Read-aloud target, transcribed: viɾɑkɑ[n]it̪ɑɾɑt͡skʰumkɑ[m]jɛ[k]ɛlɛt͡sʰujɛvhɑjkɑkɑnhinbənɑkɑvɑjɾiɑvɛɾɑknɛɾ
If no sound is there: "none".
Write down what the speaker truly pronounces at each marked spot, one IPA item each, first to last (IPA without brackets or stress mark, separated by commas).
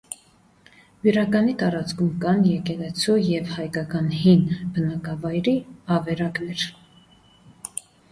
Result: n, n, k